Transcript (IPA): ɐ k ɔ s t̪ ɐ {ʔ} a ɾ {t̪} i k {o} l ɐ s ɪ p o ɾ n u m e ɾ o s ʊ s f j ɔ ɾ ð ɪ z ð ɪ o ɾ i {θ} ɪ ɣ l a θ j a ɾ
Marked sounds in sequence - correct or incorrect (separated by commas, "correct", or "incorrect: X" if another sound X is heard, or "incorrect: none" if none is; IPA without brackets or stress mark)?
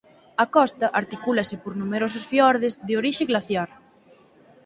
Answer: correct, correct, incorrect: u, incorrect: ʃ